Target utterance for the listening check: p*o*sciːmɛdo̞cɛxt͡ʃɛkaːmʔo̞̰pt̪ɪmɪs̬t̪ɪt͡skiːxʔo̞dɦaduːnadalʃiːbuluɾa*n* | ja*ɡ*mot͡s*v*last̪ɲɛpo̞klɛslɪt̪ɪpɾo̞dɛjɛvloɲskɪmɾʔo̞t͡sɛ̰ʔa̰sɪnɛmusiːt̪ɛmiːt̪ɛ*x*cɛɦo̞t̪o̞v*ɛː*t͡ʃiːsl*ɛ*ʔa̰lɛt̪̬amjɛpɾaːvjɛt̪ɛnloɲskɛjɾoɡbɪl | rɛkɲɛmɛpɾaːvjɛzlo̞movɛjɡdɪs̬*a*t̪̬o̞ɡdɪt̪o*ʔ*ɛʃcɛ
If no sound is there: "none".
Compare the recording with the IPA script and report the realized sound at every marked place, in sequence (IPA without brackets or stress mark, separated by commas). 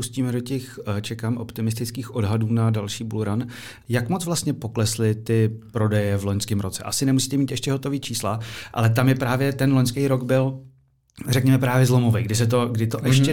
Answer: u, n, k, v, ʃ, iː, a, ɛ, ʔ